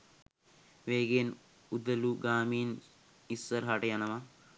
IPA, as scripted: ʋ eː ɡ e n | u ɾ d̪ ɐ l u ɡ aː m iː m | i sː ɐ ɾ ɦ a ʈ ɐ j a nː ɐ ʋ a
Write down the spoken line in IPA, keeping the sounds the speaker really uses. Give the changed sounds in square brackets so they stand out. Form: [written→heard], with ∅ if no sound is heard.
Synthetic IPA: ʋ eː ɡ e n | u [ɾ→∅] d̪ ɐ l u ɡ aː m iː [m→n] | i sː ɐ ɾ ɦ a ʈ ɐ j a [nː→n] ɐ ʋ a